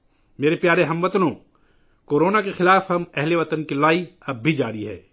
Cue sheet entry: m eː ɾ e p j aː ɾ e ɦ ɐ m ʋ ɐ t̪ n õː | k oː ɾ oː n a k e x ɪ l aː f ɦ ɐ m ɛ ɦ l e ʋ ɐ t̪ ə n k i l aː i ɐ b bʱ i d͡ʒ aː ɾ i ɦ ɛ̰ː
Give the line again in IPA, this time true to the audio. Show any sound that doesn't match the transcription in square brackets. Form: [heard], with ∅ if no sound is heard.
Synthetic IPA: m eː ɾ e p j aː ɾ e ɦ ɐ m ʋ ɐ t̪ n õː | k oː ɾ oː n a k e x ɪ l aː f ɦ ɐ m ɛ ɦ l e ʋ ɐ t̪ ə n k i l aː i ɐ b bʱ i d͡ʒ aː ɾ i ɦ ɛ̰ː